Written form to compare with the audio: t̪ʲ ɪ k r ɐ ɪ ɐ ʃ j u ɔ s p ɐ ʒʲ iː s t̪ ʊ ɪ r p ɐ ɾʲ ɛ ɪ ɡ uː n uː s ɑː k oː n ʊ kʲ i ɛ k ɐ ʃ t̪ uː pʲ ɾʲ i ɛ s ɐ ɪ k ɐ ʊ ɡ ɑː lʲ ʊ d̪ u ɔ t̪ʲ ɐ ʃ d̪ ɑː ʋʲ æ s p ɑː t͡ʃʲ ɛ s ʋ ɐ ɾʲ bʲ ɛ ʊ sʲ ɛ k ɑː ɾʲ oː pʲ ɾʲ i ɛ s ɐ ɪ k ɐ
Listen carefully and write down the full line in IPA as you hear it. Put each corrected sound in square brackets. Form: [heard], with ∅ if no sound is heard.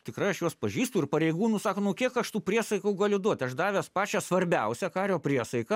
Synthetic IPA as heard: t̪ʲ ɪ k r ɐ ɪ ɐ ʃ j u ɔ s p ɐ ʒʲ iː s t̪ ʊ ɪ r p ɐ ɾʲ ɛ ɪ ɡ uː n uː s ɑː k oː n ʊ kʲ i ɛ k ɐ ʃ t̪ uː pʲ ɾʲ i ɛ s ɐ ɪ k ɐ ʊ ɡ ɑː lʲ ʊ d̪ u ɔ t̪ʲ ɐ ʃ d̪ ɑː ʋʲ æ s p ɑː t͡ʃʲ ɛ s ʋ ɐ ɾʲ bʲ ɛ ʊ sʲ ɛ k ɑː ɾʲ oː pʲ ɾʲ i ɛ s ɐ ɪ k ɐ

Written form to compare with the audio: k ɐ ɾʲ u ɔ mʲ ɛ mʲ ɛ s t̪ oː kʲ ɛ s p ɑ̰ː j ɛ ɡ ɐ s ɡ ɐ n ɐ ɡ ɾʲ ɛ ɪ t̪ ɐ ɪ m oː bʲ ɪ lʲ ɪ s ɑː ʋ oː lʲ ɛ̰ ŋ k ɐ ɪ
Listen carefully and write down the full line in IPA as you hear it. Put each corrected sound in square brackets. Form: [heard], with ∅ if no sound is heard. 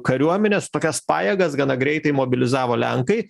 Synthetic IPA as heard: k ɐ ɾʲ u ɔ mʲ ɛ [nʲ] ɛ s t̪ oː kʲ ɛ s p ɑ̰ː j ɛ ɡ ɐ s ɡ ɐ n ɐ ɡ ɾʲ ɛ ɪ t̪ ɐ ɪ m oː bʲ ɪ lʲ ɪ [z] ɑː ʋ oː lʲ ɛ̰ ŋ k ɐ ɪ

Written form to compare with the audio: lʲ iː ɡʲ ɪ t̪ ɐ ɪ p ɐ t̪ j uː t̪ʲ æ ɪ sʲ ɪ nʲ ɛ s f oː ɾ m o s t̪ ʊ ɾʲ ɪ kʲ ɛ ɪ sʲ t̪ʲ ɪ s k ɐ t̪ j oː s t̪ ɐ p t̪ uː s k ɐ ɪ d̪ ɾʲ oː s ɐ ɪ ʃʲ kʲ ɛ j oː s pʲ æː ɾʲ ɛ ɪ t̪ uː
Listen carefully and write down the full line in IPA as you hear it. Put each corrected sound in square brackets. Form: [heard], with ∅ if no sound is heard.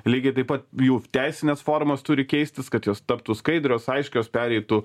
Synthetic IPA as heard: lʲ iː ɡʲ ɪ t̪ ɐ ɪ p ɐ t̪ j uː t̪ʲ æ ɪ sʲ ɪ nʲ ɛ s f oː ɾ m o s t̪ ʊ ɾʲ ɪ kʲ ɛ ɪ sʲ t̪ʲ ɪ s k ɐ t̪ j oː s t̪ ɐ p t̪ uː s k ɐ ɪ d̪ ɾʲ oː s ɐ ɪ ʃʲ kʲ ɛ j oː s pʲ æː ɾʲ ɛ ɪ t̪ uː

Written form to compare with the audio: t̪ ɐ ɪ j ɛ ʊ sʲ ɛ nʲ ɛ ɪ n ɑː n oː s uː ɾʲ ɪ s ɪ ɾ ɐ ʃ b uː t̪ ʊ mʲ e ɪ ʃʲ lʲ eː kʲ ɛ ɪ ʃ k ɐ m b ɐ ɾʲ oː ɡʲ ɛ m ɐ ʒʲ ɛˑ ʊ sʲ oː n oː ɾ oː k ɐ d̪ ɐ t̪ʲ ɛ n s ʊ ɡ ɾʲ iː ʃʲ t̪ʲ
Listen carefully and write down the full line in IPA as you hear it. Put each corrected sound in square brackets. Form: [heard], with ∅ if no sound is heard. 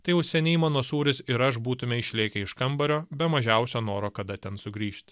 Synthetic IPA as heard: t̪ ɐ ɪ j ɛ ʊ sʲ ɛ nʲ ɛ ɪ [m] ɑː n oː s uː ɾʲ ɪ s ɪ ɾ ɐ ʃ b uː t̪ ʊ mʲ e ɪ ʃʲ lʲ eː kʲ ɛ ɪ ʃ k ɐ m b ɐ ɾʲ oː [bʲ] ɛ m ɐ ʒʲ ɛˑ ʊ sʲ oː n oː ɾ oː k ɐ d̪ ɐ t̪ʲ ɛ n s ʊ ɡ ɾʲ iː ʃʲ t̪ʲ

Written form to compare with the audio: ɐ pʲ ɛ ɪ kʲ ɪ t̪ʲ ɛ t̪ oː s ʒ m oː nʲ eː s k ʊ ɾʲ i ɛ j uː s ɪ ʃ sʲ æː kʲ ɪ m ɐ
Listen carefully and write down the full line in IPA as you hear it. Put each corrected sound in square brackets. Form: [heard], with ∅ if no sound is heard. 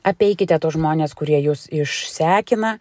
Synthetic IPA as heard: ɐ pʲ ɛ ɪ kʲ ɪ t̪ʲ ɛ t̪ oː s ʒ m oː nʲ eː s k ʊ ɾʲ i ɛ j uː s ɪ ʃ sʲ æː kʲ ɪ [n] ɐ

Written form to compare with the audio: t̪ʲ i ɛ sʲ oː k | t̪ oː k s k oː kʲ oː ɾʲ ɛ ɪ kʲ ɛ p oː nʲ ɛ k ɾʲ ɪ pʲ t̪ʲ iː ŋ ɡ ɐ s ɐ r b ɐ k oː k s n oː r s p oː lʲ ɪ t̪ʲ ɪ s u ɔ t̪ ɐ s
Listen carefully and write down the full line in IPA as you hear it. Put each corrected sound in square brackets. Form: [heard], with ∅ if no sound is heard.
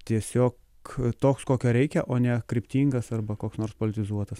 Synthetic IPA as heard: t̪ʲ i ɛ sʲ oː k | t̪ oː k s k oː kʲ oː ɾʲ ɛ ɪ kʲ ɛ [ʔ] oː nʲ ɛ k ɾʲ ɪ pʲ t̪ʲ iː ŋ ɡ ɐ s ɐ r b ɐ k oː k s n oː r s p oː lʲ ɪ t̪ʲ ɪ [z] u ɔ t̪ ɐ s

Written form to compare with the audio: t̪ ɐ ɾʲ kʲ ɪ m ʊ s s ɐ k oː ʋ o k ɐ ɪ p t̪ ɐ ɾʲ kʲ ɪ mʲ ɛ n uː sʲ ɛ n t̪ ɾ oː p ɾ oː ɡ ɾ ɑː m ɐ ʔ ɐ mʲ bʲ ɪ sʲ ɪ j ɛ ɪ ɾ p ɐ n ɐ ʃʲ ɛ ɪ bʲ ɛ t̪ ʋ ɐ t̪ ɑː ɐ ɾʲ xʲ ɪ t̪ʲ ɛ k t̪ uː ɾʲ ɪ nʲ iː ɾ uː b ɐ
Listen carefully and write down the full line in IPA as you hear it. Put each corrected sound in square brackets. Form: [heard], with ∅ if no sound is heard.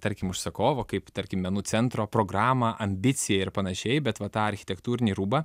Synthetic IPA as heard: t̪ ɐ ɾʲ kʲ ɪ m ʊ [ʃ] s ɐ k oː ʋ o k ɐ ɪ p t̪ ɐ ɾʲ kʲ ɪ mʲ ɛ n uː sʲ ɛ n t̪ ɾ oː p ɾ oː ɡ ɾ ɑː m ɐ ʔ ɐ mʲ bʲ ɪ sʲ ɪ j ɛ ɪ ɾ p ɐ n ɐ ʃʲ ɛ ɪ bʲ ɛ t̪ ʋ ɐ t̪ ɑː ɐ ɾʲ xʲ ɪ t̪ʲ ɛ k t̪ uː ɾʲ ɪ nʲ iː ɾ uː b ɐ

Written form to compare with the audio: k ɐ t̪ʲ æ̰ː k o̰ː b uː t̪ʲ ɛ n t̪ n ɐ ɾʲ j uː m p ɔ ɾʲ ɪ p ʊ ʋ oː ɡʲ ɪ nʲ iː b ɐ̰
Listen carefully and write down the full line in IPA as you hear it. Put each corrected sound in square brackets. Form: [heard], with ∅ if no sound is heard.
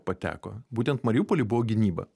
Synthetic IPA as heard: [p] ɐ t̪ʲ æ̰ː k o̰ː b uː t̪ʲ ɛ n t̪ [m] ɐ ɾʲ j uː [∅] p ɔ [lʲ] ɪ [b] ʊ ʋ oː ɡʲ ɪ nʲ iː b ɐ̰

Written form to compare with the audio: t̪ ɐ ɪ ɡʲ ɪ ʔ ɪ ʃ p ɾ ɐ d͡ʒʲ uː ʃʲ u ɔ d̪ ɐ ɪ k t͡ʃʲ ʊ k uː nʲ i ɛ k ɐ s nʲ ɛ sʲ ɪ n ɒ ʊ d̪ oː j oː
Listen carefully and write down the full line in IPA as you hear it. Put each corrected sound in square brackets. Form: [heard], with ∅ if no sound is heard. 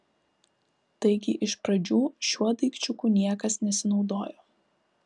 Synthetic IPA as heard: t̪ ɐ ɪ ɡʲ ɪ ʔ ɪ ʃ p ɾ ɐ d͡ʒʲ uː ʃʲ u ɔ d̪ ɐ ɪ k t͡ʃʲ ʊ k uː nʲ i ɛ k ɐ s nʲ ɛ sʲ ɪ n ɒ ʊ d̪ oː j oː

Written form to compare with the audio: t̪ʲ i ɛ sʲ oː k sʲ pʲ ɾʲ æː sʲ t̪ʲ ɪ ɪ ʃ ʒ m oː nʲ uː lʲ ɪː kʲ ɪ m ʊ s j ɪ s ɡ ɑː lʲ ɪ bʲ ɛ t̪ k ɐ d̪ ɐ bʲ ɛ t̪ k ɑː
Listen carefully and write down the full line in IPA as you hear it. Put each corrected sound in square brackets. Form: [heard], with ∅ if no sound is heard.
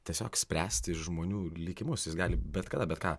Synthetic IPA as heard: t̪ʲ i ɛ sʲ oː k sʲ pʲ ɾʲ æː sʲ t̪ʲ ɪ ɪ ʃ ʒ m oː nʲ uː lʲ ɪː kʲ ɪ m ʊ s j ɪ s ɡ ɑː lʲ ɪ bʲ ɛ t̪ k ɐ d̪ ɐ bʲ ɛ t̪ k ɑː

